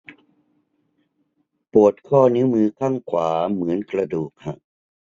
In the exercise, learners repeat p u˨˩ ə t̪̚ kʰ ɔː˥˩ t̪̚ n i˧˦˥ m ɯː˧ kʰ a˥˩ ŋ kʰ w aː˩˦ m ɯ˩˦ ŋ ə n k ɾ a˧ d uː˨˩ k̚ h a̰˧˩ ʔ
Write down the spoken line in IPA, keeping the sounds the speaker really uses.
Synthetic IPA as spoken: p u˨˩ ə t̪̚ kʰ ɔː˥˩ n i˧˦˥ m ɯː˧ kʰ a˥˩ ŋ kʰ w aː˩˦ m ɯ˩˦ ə n k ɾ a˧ d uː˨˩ k̚ h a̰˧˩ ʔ